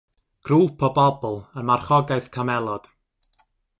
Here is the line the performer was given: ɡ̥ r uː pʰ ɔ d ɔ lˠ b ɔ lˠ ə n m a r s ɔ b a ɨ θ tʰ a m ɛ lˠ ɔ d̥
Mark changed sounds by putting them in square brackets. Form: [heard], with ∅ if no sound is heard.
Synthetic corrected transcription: ɡ̥ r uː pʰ ɔ [b] ɔ [∅] b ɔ lˠ ə n m a r [χ] ɔ [ɡ] a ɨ θ [kʰ] a m ɛ lˠ ɔ d̥